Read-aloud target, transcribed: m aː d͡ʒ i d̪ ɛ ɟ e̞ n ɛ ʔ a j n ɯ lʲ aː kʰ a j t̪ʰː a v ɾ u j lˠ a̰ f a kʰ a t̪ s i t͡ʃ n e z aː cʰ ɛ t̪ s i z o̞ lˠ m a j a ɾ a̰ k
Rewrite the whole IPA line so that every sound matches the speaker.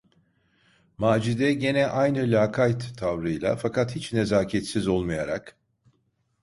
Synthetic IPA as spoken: m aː d͡ʒ i d̪ ɛ ɟ e̞ n ɛ ʔ a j n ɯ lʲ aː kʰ a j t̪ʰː a v ɾ ɯ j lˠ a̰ f a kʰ a t̪ h i t͡ʃ n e z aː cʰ ɛ t̪ s i z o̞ lˠ m a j a ɾ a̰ k